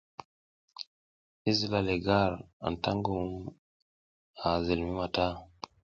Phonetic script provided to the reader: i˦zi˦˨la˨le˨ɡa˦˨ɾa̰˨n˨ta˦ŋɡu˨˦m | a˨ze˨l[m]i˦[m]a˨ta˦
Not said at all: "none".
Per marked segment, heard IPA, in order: m, m

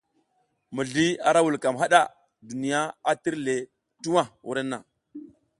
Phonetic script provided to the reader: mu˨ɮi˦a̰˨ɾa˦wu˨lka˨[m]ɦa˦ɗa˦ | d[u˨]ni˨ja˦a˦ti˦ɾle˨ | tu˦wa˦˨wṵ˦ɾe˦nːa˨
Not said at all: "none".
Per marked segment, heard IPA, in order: m, u˨

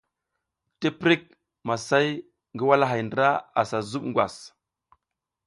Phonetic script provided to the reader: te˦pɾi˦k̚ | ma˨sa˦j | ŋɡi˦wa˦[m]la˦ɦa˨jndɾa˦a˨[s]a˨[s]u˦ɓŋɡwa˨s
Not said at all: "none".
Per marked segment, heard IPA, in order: none, s, z

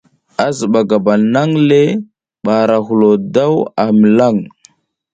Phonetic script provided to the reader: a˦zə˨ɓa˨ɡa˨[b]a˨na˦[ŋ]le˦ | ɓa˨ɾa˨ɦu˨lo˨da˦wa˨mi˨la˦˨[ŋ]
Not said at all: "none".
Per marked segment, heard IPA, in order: b, ŋ, ŋ

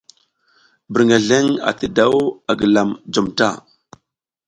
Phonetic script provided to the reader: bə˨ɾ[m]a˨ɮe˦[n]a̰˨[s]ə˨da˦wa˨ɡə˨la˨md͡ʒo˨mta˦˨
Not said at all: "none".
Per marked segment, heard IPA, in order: ŋ, ŋ, t

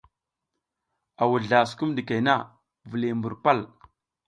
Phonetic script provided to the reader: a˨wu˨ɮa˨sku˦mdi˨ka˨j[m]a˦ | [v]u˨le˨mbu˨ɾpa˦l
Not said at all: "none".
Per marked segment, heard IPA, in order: n, v

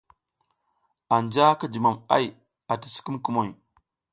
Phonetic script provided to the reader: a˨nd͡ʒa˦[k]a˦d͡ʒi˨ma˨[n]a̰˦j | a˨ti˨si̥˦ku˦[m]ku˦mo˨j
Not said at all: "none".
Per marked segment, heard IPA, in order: k, m, m

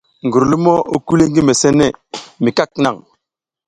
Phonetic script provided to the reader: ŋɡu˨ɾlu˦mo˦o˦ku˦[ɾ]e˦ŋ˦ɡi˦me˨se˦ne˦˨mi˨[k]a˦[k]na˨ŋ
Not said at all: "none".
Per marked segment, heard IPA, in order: l, k, k

